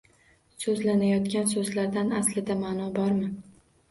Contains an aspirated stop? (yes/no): no